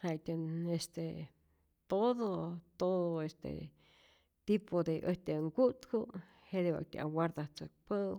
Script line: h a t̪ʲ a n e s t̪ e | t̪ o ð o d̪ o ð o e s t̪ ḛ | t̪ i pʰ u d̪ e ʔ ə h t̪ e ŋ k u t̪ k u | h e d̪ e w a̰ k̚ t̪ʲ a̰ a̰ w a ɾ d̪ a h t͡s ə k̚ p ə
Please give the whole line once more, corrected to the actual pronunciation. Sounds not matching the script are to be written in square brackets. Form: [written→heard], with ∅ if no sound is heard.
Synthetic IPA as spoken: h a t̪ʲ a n e s t̪ e | t̪ o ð o [d̪→t̪] o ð o e s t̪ ḛ | t̪ i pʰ [u→o] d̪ e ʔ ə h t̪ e ŋ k u t̪ k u | h e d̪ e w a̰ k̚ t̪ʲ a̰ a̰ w a ɾ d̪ a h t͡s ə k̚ p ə